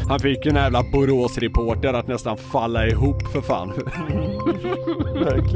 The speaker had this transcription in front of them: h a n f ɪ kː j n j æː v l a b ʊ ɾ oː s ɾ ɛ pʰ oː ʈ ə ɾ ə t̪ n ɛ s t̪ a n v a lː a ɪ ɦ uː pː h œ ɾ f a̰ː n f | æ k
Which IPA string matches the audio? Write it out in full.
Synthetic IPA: h a n f ɪ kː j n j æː v l a b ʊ ɾ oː s ɾ ɛ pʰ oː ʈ ə ɾ a t̪ n ɛ s t̪ a n f a lː a ɪ ɦ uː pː f œ ɾ f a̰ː n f | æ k